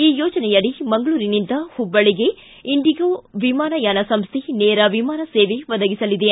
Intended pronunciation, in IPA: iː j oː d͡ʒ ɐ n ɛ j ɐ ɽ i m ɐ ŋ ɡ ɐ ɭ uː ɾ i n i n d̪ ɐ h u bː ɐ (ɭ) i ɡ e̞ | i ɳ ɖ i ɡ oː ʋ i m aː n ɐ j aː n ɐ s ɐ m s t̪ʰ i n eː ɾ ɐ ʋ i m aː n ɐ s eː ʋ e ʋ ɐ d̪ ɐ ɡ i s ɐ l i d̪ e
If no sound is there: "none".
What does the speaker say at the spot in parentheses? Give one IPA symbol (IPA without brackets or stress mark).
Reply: ɭ